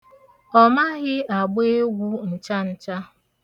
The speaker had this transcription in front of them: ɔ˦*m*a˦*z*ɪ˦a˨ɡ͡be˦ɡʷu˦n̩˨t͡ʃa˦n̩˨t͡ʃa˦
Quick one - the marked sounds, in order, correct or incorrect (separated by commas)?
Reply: correct, incorrect